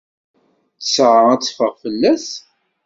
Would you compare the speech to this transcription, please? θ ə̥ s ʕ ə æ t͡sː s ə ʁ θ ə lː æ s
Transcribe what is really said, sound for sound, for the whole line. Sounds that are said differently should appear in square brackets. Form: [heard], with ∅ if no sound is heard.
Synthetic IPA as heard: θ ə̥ s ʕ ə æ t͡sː [f] ə ʁ [f] ə lː æ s